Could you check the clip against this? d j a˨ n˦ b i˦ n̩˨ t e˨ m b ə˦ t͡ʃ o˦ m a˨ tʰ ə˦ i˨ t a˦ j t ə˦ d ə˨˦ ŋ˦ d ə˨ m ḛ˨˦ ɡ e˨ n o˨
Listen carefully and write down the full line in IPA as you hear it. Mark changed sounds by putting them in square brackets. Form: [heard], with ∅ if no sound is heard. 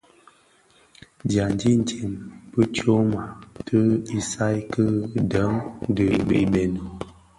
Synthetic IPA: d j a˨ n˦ [d] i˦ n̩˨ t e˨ m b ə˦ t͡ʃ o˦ m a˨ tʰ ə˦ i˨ [s] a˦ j [k] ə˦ d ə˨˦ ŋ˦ d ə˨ [b] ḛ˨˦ [b] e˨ n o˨